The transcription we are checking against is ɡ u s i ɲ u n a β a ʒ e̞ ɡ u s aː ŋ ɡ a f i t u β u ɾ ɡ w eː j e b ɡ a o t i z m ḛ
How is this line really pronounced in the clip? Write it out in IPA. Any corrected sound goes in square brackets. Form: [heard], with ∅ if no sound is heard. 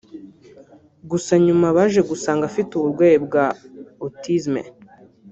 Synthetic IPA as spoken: ɡ u s [a] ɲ u [m] a β a ʒ e̞ ɡ u s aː ŋ ɡ a f i t u β u ɾ ɡ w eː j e b ɡ a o t i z m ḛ

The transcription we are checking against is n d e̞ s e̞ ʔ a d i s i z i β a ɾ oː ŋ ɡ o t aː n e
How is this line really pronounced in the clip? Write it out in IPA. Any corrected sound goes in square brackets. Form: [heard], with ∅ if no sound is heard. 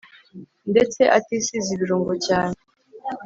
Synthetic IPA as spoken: n d e̞ [t͡s] e̞ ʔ a [t] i s i z i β [i] ɾ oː ŋ ɡ o [c] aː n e

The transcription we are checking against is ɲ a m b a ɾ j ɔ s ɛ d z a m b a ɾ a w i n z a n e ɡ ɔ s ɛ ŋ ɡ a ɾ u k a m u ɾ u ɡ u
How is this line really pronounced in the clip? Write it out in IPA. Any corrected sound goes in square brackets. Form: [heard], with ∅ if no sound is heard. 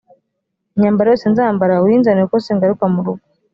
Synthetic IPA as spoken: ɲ a m b a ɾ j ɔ s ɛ [n] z a m b a ɾ a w i n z a n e [k] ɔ s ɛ ŋ ɡ a ɾ u k a m u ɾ u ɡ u

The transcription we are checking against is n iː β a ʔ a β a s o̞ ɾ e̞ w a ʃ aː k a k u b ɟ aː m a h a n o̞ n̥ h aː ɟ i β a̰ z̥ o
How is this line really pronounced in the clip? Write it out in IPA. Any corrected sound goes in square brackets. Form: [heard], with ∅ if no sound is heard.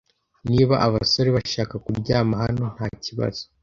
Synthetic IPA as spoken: n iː β a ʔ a β a s o̞ ɾ e̞ [β] a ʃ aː k a k u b ɟ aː m a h a n o̞ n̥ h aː [c] i β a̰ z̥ o

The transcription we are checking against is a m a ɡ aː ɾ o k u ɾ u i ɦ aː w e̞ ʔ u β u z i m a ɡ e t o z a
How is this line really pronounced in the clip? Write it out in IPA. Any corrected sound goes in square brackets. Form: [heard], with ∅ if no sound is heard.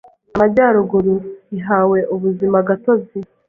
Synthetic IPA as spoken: a m a [ɟ] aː ɾ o [ɡ] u ɾ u i ɦ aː w e̞ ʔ u β u z i m a ɡ [a] t o z [i]

